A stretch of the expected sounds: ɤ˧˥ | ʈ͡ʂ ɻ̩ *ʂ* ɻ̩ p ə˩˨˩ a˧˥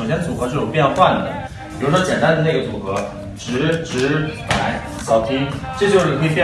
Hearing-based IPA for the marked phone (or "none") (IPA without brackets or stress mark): ʈ͡ʂ